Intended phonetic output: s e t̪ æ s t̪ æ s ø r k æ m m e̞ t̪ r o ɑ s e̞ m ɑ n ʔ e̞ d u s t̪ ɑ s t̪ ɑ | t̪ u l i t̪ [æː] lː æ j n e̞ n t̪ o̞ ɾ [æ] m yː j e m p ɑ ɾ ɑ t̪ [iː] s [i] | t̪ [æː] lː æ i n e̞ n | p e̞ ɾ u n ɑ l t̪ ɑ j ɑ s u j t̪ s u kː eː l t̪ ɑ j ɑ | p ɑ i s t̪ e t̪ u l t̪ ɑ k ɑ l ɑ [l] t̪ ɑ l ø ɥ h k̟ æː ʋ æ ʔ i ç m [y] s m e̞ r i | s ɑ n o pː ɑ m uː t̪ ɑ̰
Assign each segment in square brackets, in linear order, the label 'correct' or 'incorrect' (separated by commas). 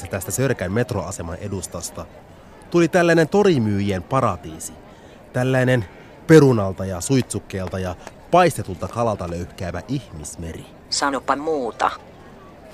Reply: incorrect, incorrect, correct, correct, incorrect, correct, incorrect